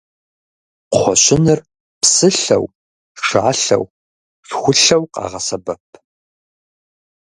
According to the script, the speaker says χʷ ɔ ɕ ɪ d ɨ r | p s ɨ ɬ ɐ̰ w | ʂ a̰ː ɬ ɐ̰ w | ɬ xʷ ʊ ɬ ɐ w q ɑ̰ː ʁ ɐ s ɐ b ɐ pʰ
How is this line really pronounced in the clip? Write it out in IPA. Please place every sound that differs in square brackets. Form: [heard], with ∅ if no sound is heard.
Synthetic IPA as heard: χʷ ɔ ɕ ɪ [n] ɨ r | p s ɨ ɬ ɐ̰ w | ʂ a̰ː ɬ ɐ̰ w | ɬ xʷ ʊ ɬ ɐ w q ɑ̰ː ʁ ɐ s ɐ b ɐ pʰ